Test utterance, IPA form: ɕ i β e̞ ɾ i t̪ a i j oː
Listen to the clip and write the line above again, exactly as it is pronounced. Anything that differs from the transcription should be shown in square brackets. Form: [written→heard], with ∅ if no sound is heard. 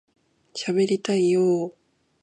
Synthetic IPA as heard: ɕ [i→a] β e̞ ɾ i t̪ a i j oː

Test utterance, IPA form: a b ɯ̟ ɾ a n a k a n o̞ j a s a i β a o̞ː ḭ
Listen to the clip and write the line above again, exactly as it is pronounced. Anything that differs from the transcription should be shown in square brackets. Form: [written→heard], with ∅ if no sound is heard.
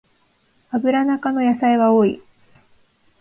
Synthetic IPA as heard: a b ɯ̟ ɾ a n a k a n o̞ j a s a i β a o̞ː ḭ

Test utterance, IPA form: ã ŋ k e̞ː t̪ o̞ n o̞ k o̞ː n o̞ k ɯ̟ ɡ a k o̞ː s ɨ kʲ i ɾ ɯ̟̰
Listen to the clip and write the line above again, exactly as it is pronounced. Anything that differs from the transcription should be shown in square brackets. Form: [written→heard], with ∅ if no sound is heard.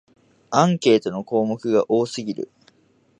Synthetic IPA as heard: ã ŋ k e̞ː t̪ o̞ n o̞ k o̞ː [n→m] o̞ k ɯ̟ ɡ a [k→ʔ] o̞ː s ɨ [kʲ→ɡʲ] i ɾ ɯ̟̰

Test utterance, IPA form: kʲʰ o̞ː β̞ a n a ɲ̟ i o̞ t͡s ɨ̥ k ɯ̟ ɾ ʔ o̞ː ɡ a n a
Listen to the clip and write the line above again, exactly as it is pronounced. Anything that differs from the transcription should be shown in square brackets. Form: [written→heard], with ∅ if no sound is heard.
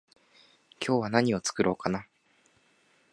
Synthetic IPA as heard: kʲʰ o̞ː β̞ a n a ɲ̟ i o̞ t͡s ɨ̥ k ɯ̟ ɾ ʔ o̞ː [ɡ→k] a n a

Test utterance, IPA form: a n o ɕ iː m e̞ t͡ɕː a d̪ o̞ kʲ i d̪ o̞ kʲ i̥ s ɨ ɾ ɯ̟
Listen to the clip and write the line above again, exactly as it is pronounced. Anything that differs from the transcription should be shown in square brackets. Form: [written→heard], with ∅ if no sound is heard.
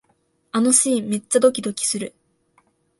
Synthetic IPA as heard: a n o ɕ iː m e̞ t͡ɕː a d̪ o̞ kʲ i d̪ o̞ kʲ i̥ s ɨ ɾ ɯ̟

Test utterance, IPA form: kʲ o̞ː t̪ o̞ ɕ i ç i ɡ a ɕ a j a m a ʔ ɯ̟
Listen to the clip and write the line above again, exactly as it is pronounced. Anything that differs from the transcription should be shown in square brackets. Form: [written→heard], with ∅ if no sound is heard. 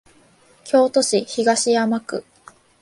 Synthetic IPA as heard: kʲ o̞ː t̪ o̞ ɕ i ç i ɡ a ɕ [a→i] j a m a [ʔ→k] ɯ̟

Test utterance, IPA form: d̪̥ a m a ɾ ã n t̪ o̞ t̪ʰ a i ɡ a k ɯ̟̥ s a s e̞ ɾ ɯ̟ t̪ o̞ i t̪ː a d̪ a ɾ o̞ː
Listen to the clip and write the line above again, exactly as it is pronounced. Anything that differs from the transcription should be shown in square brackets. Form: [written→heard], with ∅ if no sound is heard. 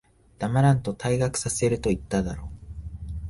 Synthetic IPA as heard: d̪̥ a m a ɾ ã n t̪ o̞ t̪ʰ a i ɡ a k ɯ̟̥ s a s e̞ ɾ ɯ̟ t̪ o̞ i t̪ː a d̪ a ɾ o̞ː

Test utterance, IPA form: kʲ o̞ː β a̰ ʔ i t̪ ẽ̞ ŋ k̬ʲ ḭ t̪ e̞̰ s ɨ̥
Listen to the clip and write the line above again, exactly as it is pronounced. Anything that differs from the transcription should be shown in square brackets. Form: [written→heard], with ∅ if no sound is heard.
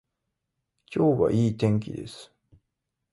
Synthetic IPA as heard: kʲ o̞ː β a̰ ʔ [i→iː] t̪ ẽ̞ ŋ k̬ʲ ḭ [t̪→d̪] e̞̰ s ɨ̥

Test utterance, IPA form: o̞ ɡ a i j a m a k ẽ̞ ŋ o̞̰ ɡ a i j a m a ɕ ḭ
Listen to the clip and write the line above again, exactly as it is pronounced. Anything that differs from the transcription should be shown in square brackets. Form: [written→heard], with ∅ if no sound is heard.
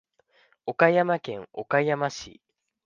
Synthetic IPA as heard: o̞ [ɡ→k] a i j a m a k ẽ̞ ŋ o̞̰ [ɡ→k] a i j a m a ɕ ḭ

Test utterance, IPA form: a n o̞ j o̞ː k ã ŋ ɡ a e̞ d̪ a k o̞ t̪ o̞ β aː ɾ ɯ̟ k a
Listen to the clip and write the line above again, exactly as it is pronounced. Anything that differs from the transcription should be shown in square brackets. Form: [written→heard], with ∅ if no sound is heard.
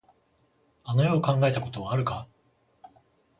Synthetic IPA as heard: a n o̞ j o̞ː k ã ŋ ɡ a e̞ [d̪→t̪] a k o̞ t̪ o̞ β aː ɾ ɯ̟ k a

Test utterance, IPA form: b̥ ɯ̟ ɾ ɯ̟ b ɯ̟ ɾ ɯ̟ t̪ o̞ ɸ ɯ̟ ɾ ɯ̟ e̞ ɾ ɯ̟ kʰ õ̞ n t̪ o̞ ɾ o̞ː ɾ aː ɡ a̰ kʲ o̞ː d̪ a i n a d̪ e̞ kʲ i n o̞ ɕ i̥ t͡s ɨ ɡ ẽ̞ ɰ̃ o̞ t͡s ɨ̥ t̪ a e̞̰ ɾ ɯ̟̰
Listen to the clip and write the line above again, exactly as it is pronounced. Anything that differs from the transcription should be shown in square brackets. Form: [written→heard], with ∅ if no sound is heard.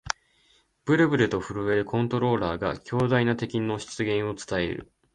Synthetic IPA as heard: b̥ ɯ̟ ɾ ɯ̟ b ɯ̟ ɾ ɯ̟ t̪ o̞ ɸ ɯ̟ ɾ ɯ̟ e̞ ɾ ɯ̟ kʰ õ̞ n t̪ o̞ ɾ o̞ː ɾ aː ɡ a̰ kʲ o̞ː d̪ a i n a [d̪→t̪] e̞ kʲ i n o̞ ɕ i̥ t͡s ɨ ɡ ẽ̞ ɰ̃ o̞ t͡s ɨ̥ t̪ a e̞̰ ɾ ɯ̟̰

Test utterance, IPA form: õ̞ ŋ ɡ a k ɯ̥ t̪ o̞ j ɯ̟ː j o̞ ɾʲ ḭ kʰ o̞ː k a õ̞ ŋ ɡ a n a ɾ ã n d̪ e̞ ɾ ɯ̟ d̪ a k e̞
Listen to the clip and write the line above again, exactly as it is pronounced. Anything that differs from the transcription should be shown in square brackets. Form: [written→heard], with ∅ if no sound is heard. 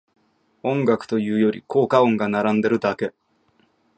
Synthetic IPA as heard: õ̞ ŋ ɡ a k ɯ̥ t̪ o̞ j ɯ̟ː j o̞ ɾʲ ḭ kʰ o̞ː k a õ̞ ŋ ɡ a n a ɾ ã n d̪ e̞ ɾ ɯ̟ d̪ a k e̞

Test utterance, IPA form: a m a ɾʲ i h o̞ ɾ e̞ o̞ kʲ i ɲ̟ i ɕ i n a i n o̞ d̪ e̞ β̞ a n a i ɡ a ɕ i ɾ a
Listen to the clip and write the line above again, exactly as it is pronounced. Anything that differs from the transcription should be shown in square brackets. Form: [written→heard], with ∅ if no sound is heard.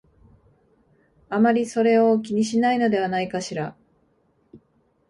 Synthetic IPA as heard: a m a ɾʲ i [h→s] o̞ ɾ e̞ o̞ kʲ i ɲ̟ i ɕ i n a i n o̞ d̪ e̞ β̞ a n a i [ɡ→k] a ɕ i ɾ a

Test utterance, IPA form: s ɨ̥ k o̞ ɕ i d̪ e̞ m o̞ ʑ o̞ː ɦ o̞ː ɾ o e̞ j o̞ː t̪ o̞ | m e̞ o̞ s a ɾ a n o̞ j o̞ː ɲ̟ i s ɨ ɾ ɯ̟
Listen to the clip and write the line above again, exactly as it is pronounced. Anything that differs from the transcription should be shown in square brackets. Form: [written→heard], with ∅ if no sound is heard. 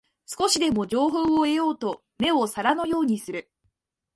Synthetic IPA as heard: s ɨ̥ k o̞ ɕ i d̪ e̞ m o̞ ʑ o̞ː ɦ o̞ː [ɾ→∅] o e̞ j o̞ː t̪ o̞ | m e̞ o̞ s a ɾ a n o̞ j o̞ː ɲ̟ i s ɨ ɾ ɯ̟

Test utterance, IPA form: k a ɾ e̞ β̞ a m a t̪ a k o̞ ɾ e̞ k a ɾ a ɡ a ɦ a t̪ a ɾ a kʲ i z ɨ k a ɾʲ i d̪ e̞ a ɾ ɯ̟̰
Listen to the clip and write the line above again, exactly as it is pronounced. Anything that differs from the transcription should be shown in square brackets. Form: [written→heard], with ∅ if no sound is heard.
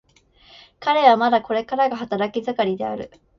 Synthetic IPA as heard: k a ɾ e̞ β̞ a m a [t̪→d̪] a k o̞ ɾ e̞ k a ɾ a ɡ a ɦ a t̪ a ɾ a kʲ i z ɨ k a ɾʲ i d̪ e̞ a ɾ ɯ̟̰

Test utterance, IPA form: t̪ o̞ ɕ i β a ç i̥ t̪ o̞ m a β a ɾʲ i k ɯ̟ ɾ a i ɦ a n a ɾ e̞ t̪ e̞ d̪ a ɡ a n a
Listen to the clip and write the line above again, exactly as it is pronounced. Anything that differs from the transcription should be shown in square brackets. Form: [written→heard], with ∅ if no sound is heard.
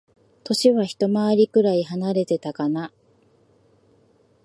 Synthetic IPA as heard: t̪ o̞ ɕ i β a ç i̥ t̪ o̞ m a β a ɾʲ i k ɯ̟ ɾ a i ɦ a n a ɾ e̞ t̪ e̞ [d̪→t̪] a [ɡ→k] a n a

